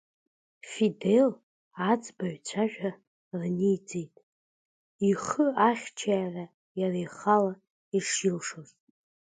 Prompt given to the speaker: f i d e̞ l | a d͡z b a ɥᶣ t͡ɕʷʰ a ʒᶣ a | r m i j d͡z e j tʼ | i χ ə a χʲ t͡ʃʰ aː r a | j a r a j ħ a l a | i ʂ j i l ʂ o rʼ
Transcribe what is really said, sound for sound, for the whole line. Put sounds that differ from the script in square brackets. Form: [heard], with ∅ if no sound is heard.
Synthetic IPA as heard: f i d e̞ l | a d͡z b a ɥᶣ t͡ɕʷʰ a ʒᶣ a | r [n] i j d͡z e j tʼ | i χ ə a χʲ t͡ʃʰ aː r a | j a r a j [χ] a l a | i ʂ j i l ʂ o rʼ